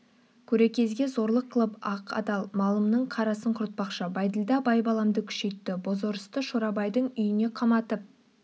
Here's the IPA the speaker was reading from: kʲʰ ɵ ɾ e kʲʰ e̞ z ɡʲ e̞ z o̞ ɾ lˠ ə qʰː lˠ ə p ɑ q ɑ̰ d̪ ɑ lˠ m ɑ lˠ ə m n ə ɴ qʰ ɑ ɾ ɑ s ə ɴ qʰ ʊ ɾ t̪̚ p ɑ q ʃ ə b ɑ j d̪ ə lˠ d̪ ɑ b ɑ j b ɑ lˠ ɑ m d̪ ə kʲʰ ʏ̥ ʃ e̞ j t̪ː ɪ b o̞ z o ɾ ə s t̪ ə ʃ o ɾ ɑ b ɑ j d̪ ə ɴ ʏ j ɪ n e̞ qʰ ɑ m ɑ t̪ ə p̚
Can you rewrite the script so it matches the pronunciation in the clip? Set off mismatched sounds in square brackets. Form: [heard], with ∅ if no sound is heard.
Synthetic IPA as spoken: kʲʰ ɵ ɾ e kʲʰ e̞ z ɡʲ e̞ z o̞ ɾ lˠ ə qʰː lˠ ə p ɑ q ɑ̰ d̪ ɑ lˠ m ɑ lˠ ə m n ə ɴ qʰ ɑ ɾ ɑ s ə ɴ qʰ ʊ ɾ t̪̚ p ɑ q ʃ ə b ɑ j d̪ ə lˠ d̪ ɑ b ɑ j b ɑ lˠ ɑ m d̪ ə kʲʰ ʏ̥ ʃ e̞ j t̪ː ɪ b o̞ z o ɾ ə s t̪ ə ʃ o ɾ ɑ b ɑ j d̪ ə ɴ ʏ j ɪ n e̞ qʰ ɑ m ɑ t̪ ə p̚